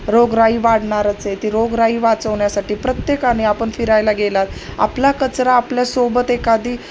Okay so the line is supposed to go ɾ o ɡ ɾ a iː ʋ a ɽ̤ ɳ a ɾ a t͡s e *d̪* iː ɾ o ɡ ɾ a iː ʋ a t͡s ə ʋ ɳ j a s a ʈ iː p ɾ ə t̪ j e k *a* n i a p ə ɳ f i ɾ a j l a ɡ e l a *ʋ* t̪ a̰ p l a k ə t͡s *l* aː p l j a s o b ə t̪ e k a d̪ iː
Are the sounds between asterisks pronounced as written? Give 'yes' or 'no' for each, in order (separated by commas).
no, yes, no, no